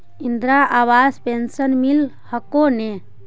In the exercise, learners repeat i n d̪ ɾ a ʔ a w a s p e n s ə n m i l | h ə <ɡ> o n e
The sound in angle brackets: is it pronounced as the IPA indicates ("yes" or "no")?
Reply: no